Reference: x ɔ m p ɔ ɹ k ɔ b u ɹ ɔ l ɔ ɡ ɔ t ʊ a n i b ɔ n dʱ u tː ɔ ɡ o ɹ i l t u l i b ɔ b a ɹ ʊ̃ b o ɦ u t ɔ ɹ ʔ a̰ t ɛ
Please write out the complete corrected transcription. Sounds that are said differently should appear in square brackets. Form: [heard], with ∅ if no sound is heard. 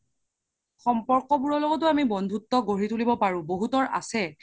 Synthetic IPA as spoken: x ɔ m p ɔ ɹ k ɔ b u ɹ ɔ l ɔ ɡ ɔ t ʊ a [m] i b ɔ n dʱ u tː ɔ ɡ o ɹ i [∅] t u l i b ɔ [p] a ɹ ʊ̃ b o ɦ u t ɔ ɹ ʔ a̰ [s] ɛ

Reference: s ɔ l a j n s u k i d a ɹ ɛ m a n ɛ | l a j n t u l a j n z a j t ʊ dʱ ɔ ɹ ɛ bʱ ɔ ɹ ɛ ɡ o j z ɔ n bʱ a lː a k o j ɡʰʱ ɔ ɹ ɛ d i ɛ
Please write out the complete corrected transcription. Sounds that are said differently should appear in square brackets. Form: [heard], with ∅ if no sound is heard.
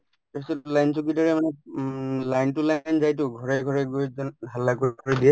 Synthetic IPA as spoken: s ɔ l a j n s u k i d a ɹ ɛ m a n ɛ | l a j n t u l a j n z a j t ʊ [ɡʱ] ɔ ɹ ɛ [ɡʱ] ɔ ɹ ɛ ɡ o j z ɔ n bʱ a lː a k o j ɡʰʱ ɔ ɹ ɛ d i ɛ

